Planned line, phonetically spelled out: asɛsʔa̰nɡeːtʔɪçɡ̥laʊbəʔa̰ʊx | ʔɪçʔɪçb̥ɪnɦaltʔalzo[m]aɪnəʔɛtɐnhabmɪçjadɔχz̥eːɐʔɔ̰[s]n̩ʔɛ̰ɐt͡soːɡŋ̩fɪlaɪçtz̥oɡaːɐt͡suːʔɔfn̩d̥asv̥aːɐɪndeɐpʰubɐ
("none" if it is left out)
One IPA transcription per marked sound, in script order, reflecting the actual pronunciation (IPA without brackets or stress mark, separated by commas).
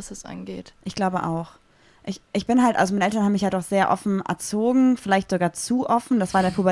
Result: m, f